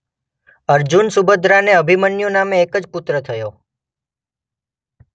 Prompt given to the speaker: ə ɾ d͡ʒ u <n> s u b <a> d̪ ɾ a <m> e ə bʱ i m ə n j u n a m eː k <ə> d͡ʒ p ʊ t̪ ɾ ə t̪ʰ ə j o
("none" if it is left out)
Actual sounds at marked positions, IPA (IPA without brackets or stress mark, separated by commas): n, ə, n, ə